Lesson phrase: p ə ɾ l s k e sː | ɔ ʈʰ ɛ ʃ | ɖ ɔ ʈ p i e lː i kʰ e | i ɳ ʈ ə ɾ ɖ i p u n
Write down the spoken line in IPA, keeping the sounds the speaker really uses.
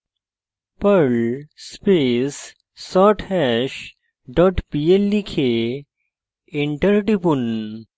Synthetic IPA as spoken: p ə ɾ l s p e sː | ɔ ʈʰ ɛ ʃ | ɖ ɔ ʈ p i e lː i kʰ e | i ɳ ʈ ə ɾ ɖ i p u n